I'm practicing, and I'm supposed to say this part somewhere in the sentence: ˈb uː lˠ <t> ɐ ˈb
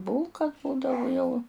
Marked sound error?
yes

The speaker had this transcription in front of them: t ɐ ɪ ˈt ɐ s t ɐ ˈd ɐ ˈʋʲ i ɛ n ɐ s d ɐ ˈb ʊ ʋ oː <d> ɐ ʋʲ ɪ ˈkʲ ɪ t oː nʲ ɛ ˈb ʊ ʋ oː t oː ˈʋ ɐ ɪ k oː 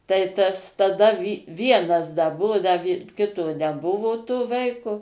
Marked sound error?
no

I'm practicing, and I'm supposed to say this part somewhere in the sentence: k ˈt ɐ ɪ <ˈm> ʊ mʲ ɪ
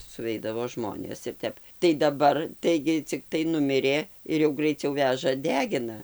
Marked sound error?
yes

